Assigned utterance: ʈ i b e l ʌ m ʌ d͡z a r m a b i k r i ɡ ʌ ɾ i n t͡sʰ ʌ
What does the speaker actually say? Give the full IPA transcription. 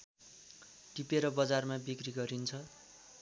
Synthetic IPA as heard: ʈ i p e ɾ ʌ b ʌ d͡z a r m a b i k r i ɡ ʌ ɾ i n t͡sʰ ʌ